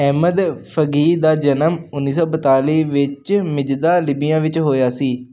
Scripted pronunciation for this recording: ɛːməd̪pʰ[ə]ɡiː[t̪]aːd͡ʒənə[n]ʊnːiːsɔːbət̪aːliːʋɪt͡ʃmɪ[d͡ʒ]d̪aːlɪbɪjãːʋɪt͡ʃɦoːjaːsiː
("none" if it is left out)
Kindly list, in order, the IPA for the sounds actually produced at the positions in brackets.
ə, d̪, m, d͡ʒ

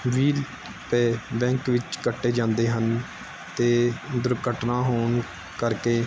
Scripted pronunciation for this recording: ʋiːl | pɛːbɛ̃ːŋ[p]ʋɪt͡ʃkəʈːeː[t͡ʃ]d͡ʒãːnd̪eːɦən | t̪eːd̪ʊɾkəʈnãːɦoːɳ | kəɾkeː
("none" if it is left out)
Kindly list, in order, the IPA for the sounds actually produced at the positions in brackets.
k, none

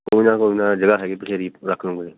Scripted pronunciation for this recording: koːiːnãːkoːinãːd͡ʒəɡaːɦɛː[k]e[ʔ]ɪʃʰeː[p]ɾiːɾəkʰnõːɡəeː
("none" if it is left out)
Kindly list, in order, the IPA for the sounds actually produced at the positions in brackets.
ɡ, p, none

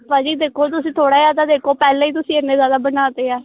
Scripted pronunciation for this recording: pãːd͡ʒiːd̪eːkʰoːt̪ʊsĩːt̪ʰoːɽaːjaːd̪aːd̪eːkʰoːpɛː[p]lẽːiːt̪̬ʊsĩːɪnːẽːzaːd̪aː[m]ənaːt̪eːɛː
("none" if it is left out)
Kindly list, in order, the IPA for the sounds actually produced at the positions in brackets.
none, b

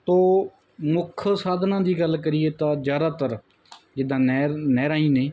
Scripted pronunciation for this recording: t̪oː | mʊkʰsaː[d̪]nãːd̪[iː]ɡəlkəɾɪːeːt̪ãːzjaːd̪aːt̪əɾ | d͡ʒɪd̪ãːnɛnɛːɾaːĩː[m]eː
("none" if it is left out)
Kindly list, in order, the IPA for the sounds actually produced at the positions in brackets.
d̪, iː, n

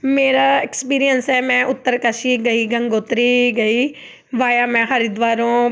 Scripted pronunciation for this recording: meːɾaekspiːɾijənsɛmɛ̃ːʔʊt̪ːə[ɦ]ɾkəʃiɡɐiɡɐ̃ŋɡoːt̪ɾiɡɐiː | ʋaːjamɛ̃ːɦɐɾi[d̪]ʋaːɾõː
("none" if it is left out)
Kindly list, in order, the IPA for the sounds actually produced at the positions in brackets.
none, d̪

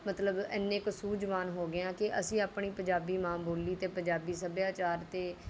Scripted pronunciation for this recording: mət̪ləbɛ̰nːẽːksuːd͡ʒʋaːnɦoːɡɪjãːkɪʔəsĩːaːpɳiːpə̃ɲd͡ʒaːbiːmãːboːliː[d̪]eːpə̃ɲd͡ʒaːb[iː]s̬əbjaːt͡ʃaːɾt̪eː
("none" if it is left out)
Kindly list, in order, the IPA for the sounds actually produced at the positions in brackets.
t̪, iː

